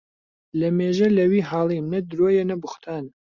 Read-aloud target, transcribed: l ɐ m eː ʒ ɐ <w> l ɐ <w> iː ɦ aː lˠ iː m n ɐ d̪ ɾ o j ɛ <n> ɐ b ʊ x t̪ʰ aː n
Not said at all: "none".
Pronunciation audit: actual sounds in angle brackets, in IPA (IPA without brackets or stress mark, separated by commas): none, w, n